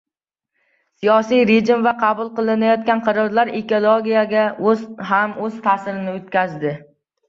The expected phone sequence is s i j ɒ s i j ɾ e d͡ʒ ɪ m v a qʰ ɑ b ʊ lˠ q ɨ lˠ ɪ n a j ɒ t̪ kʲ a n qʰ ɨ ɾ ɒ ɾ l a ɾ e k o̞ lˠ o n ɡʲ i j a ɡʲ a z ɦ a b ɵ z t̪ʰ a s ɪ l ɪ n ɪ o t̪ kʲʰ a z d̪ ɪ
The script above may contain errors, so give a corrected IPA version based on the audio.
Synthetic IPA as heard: s i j ɒ s i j ɾ e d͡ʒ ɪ m v a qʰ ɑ b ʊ lˠ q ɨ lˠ ɪ n a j ɒ t̪ kʲ a n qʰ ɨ ɾ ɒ ɾ l a ɾ e k o̞ lˠ o ɡʲ i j a ɡʲ a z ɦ a m ɵ z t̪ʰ a s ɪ ɾ ɪ n ɪ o t̪ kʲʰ a z d̪ ɪ

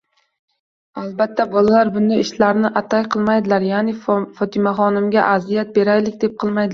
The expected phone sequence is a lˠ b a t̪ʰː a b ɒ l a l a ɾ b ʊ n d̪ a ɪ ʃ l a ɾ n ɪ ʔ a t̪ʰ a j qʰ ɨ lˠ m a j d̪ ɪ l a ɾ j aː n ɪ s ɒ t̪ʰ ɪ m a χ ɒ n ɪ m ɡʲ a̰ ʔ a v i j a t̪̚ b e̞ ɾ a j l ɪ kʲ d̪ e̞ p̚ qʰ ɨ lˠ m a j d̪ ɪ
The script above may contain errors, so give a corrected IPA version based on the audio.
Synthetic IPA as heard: a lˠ b a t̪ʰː a b ɒ l a l a ɾ b ʊ n d̪ a ɪ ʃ l a ɾ n ɪ ʔ a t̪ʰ a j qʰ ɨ lˠ m a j d̪ ɪ l a ɾ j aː n ɪ f ɒ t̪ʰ ɪ m a χ ɒ n ɪ m ɡʲ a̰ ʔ a z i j a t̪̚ b e̞ ɾ a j l ɪ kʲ d̪ e̞ p̚ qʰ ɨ lˠ m a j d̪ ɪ

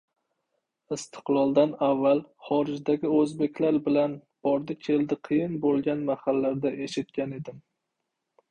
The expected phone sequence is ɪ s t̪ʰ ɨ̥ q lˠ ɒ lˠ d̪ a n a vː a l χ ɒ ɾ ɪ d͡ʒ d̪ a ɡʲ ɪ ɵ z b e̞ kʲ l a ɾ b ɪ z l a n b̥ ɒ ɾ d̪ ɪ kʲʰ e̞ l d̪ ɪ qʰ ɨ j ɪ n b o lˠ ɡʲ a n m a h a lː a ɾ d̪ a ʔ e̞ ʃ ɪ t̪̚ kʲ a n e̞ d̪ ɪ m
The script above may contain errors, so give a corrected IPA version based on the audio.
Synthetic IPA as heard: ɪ s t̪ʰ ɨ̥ q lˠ ɒ lˠ d̪ a n a vː a l χ ɒ ɾ ɪ d͡ʒ d̪ a ɡʲ ɪ ɵ z b e̞ kʲ l a ɾ b ɪ l a n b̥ ɒ ɾ d̪ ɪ kʲʰ e̞ l d̪ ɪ qʰ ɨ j ɪ n b o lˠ ɡʲ a n m a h a lː a ɾ d̪ a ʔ e̞ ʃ ɪ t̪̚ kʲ a n e̞ d̪ ɪ m

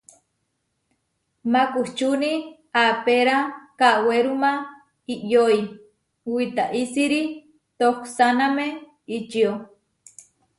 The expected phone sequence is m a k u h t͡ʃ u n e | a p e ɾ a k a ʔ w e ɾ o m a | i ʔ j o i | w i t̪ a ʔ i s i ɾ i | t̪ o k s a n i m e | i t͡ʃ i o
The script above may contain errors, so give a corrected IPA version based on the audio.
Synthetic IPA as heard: m a k u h t͡ʃ u n i | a p e ɾ a k a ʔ w e ɾ u m a | i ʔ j o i | w i t̪ a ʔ i s i ɾ i | t̪ o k s a n a m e | i t͡ʃ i o

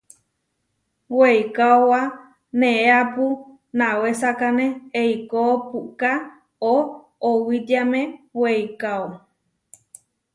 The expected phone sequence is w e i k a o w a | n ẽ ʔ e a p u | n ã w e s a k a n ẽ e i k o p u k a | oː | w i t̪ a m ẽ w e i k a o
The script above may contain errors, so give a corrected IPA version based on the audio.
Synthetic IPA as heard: w e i k a o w a | n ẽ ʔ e a p u | n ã w e s a k a n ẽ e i k o p u k a | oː | w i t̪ a m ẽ w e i k a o

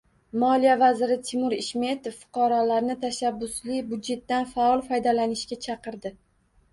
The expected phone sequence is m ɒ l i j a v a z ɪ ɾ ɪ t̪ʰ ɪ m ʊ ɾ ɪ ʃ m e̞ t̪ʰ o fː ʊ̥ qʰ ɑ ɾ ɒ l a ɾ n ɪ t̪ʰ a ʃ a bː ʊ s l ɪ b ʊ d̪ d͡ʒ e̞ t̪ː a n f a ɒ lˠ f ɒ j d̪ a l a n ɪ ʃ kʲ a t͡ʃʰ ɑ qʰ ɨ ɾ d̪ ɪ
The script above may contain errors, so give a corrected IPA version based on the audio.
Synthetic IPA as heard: m ɒ l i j a v a z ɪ ɾ ɪ t̪ʰ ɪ m ʊ ɾ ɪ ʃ m e̞ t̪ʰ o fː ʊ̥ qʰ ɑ ɾ ɒ l a ɾ n ɪ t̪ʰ a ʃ a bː ʊ s l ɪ b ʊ d̪ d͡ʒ e̞ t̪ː a n f a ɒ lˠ f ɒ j d̪ a l a n ɪ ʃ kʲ a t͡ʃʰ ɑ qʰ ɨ ɾ d̪ ɪ

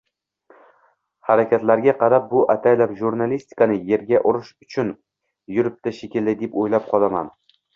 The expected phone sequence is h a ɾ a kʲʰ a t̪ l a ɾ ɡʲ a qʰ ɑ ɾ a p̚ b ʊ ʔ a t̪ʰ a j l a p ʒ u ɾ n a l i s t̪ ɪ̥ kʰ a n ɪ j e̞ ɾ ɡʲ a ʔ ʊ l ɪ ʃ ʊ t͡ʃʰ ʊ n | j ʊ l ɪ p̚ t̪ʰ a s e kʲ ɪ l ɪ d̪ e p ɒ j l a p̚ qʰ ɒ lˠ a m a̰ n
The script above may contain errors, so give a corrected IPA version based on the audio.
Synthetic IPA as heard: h a ɾ a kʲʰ a t̪ l a ɾ ɡʲ a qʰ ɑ ɾ a p̚ b ʊ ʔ a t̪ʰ a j l a p ʒ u ɾ n a l i s t̪ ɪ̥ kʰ a n ɪ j e̞ ɾ ɡʲ a ʔ ʊ ɾ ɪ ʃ ʊ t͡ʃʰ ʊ n | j ʊ ɾ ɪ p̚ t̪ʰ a ʃ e kʲ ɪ l ɪ d̪ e p o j l a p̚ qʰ ɒ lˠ a m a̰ n

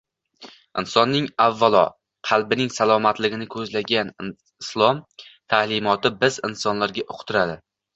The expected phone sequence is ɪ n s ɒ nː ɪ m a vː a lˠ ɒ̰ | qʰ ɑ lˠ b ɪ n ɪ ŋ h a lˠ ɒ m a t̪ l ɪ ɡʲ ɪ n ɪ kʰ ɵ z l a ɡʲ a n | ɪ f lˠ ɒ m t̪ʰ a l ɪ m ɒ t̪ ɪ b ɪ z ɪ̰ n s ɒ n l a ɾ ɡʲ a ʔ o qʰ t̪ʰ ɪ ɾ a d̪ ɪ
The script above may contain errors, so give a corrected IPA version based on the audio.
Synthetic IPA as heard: ɪ n s ɒ nː ɪ ŋ a vː a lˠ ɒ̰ | qʰ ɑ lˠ b ɪ n ɪ ŋ s a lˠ ɒ m a t̪ l ɪ ɡʲ ɪ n ɪ kʰ ɵ z l a ɡʲ a n | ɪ s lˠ ɒ m t̪ʰ a l ɪ m ɒ t̪ ɪ b ɪ z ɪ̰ n s ɒ n l a ɾ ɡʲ a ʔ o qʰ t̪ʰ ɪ ɾ a d̪ ɪ

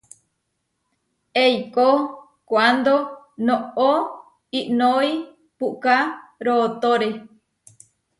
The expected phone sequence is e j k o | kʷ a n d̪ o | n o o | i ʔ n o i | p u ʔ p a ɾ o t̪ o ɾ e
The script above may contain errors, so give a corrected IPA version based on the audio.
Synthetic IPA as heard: e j k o | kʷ a n d̪ o | n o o | i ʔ n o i | p u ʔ k a ɾ o t̪ o ɾ e

